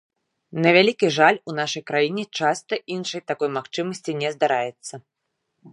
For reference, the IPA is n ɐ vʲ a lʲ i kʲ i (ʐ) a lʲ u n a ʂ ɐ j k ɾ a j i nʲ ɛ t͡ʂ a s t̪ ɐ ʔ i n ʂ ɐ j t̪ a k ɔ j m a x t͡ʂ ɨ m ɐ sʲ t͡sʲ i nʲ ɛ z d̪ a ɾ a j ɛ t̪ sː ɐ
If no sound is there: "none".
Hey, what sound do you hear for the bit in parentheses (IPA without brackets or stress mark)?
ʐ